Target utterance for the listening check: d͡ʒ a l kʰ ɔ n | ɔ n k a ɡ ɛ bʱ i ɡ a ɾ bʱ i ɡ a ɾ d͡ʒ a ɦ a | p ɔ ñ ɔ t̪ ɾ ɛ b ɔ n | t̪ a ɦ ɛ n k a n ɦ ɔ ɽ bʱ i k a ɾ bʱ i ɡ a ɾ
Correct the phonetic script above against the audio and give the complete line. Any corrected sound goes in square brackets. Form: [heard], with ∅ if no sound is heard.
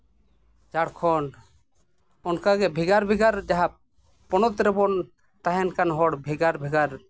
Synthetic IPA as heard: d͡ʒ a [ɽ] kʰ ɔ n | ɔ n k a ɡ ɛ bʱ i ɡ a ɾ bʱ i ɡ a ɾ d͡ʒ a ɦ a | p ɔ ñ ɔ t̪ ɾ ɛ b ɔ n | t̪ a ɦ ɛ n k a n ɦ ɔ ɽ bʱ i [ɡ] a ɾ bʱ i ɡ a ɾ